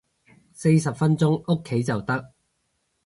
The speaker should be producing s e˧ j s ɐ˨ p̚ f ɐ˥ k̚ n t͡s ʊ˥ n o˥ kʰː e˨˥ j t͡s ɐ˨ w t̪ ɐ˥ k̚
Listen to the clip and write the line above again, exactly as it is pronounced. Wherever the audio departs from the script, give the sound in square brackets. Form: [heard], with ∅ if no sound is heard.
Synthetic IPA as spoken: s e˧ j s ɐ˨ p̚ f ɐ˥ [∅] n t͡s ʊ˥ [ŋ] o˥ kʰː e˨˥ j t͡s ɐ˨ w t̪ ɐ˥ k̚